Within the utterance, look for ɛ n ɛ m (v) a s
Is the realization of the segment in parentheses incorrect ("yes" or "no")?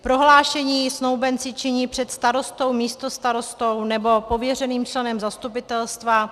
yes